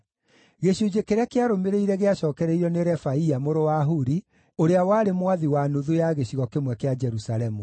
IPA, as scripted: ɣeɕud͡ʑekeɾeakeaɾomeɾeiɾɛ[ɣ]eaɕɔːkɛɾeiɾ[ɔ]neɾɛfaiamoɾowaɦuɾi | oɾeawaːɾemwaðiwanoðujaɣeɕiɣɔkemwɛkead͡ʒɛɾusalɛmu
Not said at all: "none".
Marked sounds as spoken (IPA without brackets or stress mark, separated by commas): ɣ, ɔ